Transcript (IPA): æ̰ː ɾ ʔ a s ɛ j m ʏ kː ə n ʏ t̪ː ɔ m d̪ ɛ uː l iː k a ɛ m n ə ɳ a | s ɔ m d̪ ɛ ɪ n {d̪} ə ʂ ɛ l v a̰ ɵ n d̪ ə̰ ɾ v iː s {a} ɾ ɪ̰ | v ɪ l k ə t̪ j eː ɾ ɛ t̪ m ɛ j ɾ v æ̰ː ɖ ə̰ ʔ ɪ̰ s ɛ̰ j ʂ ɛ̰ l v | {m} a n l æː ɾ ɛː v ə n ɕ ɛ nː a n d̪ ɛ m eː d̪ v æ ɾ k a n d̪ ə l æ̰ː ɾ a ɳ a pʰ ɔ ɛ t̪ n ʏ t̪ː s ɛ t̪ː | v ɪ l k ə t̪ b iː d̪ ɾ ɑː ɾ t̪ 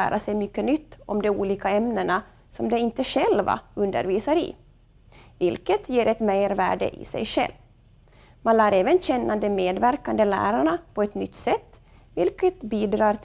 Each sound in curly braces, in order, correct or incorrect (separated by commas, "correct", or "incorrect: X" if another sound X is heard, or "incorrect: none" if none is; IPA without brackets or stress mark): incorrect: t̪, correct, correct